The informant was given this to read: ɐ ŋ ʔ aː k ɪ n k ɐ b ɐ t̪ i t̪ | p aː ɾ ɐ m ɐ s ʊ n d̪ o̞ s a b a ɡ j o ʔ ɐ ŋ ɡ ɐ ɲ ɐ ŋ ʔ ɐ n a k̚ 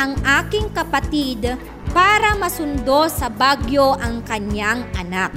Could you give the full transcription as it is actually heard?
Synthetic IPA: ɐ ŋ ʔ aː k ɪ ŋ k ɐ p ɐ t̪ i d̪ | p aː ɾ ɐ m ɐ s ʊ n d̪ o̞ s ɐ b a ɡ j o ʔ ɐ ŋ k ɐ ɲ a ŋ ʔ ɐ n a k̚